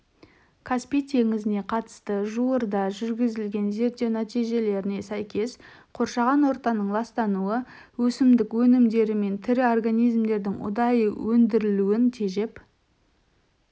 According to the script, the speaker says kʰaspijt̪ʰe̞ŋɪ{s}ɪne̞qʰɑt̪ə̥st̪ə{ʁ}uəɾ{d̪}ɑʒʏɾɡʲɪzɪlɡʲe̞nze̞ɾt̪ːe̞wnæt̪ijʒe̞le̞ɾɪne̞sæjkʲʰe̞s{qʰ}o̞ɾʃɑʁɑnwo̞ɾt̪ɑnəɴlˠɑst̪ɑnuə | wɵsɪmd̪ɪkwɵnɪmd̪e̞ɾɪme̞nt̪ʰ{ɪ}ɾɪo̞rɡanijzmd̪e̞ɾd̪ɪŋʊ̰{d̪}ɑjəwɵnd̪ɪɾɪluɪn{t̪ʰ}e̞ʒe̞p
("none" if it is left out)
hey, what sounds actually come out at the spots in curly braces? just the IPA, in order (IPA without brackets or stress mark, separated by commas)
z, ʒ, d̪, qʰ, ɪ, d̪, t̪ʰ